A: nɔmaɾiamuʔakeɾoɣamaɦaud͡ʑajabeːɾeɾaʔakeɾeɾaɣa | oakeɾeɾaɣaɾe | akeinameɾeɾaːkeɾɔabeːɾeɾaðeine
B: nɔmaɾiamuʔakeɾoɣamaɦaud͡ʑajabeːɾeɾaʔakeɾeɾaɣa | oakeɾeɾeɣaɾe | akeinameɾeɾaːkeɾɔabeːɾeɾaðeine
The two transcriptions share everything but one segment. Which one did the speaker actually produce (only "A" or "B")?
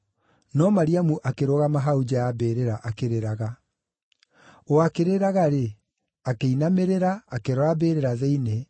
A